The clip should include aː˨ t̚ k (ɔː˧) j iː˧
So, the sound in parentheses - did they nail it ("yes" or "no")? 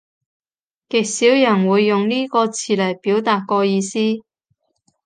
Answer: yes